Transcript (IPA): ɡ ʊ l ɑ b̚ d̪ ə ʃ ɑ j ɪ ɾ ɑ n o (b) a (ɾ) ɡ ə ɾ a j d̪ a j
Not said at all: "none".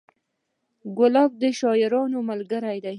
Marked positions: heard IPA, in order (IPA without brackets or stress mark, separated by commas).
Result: m, l